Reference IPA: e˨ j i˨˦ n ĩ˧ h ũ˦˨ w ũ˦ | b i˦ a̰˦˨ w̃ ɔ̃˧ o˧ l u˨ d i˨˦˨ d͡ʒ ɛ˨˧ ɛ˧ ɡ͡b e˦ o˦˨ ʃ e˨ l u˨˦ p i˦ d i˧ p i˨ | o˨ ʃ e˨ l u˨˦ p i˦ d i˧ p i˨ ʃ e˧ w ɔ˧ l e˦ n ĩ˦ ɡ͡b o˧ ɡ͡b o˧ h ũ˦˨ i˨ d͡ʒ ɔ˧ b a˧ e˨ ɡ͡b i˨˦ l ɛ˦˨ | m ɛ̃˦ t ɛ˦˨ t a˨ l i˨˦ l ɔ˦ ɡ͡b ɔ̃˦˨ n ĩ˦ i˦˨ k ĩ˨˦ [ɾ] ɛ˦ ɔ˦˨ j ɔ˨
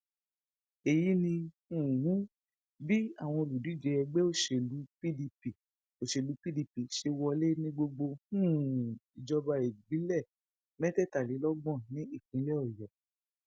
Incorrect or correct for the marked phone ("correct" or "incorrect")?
incorrect